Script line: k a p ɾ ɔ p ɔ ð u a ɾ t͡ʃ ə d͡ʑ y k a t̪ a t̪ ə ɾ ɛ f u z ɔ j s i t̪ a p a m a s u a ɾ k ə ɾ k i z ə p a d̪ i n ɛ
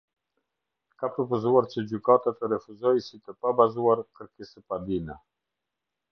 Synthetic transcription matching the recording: k a p ɾ ɔ p ɔ z u a ɾ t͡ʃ ə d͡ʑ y k a t̪ a t̪ ə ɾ ɛ f u z ɔ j s i t̪ ə p a b a z u a ɾ k ə ɾ k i s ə p a d̪ i n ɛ